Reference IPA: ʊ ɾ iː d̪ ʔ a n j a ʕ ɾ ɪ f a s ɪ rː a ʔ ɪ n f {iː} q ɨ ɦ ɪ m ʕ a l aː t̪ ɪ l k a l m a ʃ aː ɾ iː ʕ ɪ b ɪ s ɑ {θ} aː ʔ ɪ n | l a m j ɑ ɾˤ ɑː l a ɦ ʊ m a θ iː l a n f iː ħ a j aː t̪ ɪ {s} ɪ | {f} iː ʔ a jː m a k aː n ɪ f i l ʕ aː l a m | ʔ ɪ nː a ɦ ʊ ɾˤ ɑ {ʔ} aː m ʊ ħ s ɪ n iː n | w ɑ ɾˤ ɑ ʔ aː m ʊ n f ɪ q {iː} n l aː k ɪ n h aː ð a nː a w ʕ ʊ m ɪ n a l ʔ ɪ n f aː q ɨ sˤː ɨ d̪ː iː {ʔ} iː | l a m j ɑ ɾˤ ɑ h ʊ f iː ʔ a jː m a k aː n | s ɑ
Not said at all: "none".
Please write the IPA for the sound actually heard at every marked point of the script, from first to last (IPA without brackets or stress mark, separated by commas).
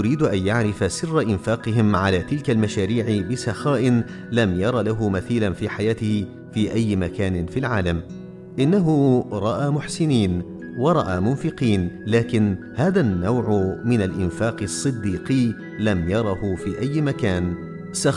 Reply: aː, x, h, f, ʔ, iː, q